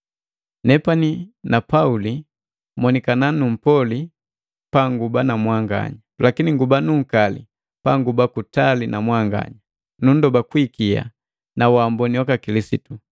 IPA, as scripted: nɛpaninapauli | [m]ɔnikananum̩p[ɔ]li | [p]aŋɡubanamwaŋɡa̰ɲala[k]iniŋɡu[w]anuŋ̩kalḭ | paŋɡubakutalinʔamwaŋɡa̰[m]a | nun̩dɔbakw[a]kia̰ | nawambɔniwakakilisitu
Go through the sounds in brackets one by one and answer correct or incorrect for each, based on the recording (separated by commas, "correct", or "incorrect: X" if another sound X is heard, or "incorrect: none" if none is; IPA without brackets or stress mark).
correct, correct, correct, correct, incorrect: b, incorrect: ɲ, incorrect: i